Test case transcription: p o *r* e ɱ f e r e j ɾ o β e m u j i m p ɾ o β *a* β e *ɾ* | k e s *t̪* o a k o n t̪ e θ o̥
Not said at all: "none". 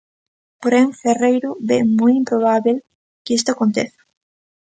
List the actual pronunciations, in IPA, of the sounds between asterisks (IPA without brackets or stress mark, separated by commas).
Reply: ɾ, a, l, t̪